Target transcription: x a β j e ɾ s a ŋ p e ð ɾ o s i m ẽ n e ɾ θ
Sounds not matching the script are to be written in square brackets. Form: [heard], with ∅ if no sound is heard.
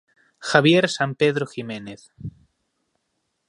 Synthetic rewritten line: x a β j e ɾ s a [m] p e ð ɾ o [x] i m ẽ n e [∅] θ